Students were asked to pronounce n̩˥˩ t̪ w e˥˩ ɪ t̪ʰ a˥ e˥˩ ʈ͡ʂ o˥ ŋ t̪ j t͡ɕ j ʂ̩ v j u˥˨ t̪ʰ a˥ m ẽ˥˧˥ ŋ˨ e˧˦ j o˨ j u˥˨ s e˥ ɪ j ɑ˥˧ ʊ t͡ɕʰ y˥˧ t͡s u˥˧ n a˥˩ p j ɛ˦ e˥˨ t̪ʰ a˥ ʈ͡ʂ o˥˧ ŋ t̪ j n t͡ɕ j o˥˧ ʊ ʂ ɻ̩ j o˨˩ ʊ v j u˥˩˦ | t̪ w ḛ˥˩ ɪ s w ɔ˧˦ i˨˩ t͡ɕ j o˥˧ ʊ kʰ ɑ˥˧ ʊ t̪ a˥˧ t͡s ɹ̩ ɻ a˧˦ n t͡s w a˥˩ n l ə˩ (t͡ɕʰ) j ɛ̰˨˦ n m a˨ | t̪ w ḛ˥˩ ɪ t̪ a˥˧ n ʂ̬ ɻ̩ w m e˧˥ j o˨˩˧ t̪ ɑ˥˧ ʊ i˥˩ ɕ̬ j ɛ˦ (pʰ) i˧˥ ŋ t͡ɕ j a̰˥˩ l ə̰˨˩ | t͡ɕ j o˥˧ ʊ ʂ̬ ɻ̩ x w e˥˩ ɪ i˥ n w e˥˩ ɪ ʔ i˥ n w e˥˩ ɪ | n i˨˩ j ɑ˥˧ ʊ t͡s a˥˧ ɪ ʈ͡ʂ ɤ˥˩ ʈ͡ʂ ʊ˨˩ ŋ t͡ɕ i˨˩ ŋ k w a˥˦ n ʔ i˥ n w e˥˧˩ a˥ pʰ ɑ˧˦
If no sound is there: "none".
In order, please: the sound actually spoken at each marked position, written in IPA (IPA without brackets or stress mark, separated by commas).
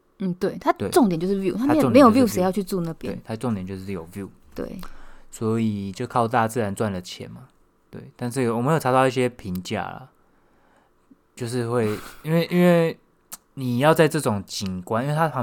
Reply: t͡ɕʰ, pʰ